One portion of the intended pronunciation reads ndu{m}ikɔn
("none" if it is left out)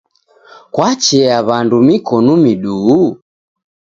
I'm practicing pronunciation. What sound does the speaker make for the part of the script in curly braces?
m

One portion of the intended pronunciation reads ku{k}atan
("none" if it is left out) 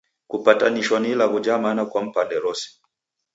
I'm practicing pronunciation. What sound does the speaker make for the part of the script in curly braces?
p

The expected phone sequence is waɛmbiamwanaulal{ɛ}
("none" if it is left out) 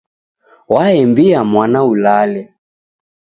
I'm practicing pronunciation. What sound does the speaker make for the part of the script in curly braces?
ɛ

